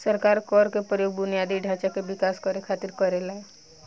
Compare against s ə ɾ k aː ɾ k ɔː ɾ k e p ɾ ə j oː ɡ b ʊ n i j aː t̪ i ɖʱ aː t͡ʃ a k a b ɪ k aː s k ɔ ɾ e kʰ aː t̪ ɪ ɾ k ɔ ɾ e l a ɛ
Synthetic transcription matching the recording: s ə ɾ k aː ɾ k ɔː ɾ k e p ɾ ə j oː ɡ b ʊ n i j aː d̪ i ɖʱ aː t͡ʃ a k e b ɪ k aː s k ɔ ɾ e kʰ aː t̪ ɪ ɾ k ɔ ɾ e l a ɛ